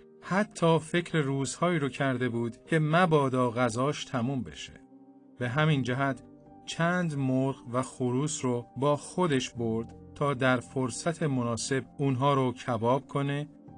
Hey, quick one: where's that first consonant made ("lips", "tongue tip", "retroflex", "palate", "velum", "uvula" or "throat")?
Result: throat